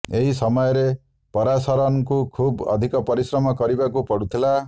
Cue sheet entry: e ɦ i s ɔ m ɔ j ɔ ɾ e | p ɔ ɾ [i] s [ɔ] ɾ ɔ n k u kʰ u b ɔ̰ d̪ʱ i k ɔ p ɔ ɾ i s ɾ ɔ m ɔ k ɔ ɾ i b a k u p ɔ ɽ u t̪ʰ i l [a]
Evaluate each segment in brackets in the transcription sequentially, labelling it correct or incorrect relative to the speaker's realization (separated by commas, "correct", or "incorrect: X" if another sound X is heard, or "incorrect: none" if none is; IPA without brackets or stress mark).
incorrect: a, correct, correct